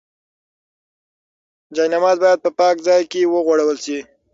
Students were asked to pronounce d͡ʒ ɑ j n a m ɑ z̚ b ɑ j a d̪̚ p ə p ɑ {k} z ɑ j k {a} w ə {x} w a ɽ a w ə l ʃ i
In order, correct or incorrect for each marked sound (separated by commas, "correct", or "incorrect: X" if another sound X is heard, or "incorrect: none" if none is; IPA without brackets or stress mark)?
correct, incorrect: e, incorrect: ɣ